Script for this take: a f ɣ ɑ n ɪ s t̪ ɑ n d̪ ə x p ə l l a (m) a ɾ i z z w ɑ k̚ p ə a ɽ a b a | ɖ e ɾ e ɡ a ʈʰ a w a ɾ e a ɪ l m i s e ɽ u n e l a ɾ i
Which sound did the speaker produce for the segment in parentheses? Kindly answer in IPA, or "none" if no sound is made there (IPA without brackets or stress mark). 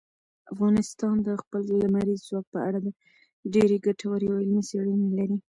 m